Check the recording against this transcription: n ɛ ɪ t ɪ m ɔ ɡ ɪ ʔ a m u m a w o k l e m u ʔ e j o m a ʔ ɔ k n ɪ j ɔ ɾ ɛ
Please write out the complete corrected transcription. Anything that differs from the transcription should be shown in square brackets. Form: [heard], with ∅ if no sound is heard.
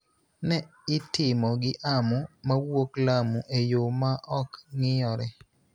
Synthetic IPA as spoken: n ɛ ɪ t ɪ m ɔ ɡ ɪ ʔ a m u m a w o k l [a] m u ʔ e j o m a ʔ ɔ k [ŋ] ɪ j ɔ ɾ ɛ